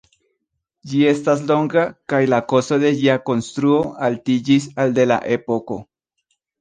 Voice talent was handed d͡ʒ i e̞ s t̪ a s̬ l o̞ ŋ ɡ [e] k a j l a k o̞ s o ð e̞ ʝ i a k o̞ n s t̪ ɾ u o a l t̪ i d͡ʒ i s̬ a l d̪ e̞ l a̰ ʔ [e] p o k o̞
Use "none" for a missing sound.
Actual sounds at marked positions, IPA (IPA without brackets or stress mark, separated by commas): a, e